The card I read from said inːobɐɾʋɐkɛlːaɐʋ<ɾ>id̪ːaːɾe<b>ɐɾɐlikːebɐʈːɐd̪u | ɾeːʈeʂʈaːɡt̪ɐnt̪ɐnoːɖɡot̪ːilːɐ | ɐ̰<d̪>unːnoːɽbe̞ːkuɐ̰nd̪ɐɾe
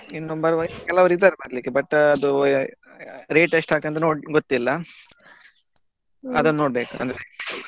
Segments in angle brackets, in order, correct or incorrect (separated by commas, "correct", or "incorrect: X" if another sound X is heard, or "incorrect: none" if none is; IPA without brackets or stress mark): correct, correct, correct